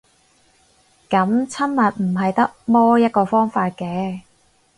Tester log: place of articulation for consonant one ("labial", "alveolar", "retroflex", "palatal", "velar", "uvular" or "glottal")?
velar